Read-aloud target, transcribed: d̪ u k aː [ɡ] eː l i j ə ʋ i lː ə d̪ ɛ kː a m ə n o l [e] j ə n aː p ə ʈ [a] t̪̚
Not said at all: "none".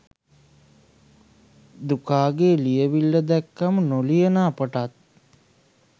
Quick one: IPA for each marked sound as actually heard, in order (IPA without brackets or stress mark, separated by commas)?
ɡ, i, a